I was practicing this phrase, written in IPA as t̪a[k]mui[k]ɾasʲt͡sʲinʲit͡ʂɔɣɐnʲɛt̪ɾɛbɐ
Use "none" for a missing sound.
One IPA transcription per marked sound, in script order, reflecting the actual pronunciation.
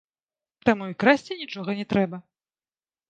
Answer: none, k

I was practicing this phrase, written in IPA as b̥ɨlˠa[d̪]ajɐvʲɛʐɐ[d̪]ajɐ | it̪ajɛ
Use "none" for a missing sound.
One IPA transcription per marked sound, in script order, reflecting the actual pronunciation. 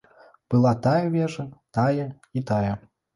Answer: t̪, t̪

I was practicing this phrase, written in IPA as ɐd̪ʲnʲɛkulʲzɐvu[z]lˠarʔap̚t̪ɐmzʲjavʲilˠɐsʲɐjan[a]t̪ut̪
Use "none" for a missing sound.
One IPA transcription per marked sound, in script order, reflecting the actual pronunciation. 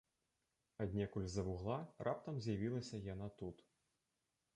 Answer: ɣ, a

